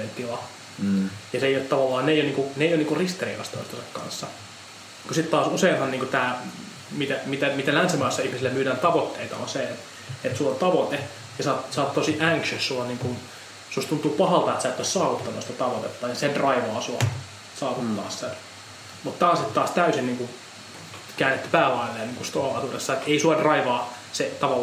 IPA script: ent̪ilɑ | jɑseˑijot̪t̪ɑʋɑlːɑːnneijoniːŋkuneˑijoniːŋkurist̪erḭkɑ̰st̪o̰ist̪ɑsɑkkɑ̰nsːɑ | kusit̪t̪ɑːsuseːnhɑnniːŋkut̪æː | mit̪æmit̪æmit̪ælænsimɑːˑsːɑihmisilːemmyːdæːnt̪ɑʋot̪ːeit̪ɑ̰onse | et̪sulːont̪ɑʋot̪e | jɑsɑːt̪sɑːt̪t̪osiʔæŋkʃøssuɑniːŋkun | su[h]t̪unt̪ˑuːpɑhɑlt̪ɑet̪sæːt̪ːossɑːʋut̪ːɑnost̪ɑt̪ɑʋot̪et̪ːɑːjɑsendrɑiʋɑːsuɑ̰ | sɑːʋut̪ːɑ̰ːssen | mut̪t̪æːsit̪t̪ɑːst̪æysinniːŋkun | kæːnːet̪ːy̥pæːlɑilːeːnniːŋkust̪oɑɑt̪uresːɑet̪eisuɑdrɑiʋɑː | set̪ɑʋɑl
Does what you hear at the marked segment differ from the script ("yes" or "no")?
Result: yes